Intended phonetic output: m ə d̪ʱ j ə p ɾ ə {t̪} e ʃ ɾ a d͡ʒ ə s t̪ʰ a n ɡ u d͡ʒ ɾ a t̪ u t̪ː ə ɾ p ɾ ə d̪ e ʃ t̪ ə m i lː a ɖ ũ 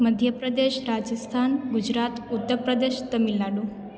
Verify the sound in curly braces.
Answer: incorrect: d̪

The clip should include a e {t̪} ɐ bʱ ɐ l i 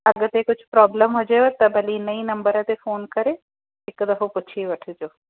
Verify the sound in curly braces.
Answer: correct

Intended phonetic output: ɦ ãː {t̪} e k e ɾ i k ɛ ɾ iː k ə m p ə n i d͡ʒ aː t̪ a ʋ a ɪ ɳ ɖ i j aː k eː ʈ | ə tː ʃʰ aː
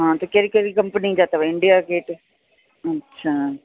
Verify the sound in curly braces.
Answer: correct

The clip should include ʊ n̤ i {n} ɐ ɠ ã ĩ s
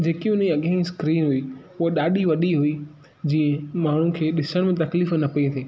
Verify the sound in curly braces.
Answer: incorrect: none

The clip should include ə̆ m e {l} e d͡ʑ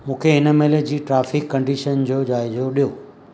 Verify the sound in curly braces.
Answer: correct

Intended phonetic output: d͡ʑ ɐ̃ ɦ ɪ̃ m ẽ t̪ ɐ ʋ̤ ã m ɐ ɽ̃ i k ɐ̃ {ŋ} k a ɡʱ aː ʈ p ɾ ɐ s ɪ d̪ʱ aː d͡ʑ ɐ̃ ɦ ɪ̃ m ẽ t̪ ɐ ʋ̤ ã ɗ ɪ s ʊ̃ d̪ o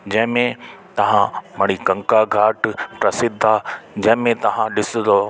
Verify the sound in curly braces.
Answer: correct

